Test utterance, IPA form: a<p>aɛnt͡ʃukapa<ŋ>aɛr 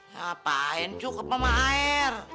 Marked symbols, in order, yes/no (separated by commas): yes, no